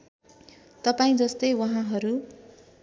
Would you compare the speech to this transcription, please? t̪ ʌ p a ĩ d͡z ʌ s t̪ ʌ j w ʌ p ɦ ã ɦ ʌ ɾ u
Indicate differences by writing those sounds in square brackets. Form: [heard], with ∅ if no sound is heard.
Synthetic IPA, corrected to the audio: t̪ ʌ p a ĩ d͡z ʌ s t̪ ʌ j w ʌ [∅] ɦ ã ɦ ʌ ɾ u